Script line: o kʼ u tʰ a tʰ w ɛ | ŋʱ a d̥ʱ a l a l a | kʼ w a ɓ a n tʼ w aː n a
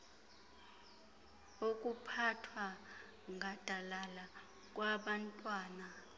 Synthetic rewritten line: o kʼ u pʰ a tʰ w a | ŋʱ a d̥ʱ a l a l a | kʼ w a ɓ a n tʼ w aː n a